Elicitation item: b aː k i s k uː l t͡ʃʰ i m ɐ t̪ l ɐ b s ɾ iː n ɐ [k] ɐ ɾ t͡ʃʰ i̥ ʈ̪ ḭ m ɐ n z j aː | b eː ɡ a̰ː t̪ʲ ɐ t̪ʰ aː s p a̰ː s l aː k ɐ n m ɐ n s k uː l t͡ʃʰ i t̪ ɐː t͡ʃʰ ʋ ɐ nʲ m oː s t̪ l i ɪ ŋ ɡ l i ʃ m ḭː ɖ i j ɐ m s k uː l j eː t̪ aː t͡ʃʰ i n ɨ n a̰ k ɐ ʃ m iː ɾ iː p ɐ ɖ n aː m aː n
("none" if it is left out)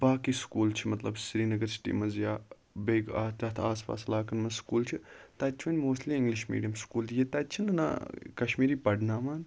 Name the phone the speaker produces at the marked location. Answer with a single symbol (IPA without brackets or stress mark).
ɡ